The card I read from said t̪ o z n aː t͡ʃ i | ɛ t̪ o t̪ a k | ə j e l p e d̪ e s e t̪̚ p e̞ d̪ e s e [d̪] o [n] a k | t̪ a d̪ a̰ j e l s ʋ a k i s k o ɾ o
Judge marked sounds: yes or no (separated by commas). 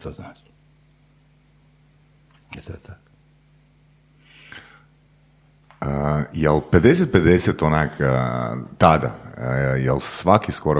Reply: no, yes